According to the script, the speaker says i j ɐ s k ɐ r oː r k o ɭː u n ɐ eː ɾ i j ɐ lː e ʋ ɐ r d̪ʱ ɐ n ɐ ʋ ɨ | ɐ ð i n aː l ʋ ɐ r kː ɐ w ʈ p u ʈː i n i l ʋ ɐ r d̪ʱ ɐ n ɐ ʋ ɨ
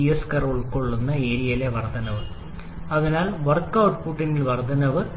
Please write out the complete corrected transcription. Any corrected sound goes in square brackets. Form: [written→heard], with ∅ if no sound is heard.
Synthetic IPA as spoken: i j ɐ s k ɐ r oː [r→ɭ] k o ɭː u [n→nː] ɐ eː ɾ i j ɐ [lː→l] e ʋ ɐ r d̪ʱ ɐ n ɐ ʋ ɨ | ɐ ð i n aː l ʋ ɐ r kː ɐ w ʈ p u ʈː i n i l ʋ ɐ r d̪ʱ ɐ n ɐ ʋ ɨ